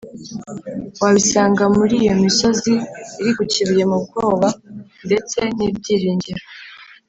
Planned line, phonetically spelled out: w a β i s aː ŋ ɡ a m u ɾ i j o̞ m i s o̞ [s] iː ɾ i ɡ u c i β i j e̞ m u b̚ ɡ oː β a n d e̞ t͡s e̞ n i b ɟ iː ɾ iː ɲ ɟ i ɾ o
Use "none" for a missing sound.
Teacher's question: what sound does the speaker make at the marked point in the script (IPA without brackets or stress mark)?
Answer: z